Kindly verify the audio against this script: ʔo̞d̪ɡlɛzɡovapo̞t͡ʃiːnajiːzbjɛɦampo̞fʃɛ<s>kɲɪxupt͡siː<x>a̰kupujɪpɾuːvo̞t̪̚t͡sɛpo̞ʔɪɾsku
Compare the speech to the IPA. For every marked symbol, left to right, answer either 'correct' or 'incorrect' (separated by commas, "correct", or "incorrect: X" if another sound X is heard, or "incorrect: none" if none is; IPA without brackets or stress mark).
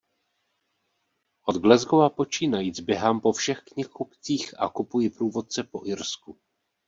incorrect: x, correct